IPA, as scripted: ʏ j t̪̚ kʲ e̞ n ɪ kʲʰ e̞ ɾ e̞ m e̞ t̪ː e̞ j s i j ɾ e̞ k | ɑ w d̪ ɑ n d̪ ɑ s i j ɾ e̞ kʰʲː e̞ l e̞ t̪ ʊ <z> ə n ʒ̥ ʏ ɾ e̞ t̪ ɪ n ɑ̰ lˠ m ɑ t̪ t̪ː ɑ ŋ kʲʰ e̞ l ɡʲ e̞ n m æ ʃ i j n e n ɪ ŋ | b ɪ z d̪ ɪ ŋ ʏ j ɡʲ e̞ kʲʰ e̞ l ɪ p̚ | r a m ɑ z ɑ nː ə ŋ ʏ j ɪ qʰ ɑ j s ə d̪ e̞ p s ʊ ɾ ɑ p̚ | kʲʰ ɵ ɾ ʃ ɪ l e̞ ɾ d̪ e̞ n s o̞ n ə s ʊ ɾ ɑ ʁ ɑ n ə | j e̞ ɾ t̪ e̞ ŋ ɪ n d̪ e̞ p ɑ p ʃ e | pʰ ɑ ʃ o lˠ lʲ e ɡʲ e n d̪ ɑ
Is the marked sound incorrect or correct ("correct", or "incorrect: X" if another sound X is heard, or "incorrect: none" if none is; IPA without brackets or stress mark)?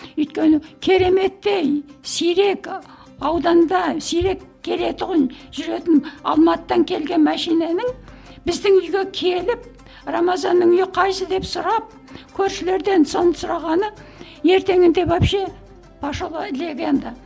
incorrect: ʁ